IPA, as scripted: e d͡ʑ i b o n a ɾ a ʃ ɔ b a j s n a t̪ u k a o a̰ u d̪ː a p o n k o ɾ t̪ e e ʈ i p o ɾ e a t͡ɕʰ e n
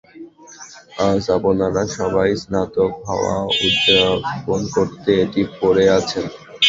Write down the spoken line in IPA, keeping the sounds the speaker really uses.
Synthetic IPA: a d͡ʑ a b o n a ɾ a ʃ ɔ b a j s n a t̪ o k a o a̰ u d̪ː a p o n k o ɾ t̪ e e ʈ i p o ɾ e a t͡ɕʰ e n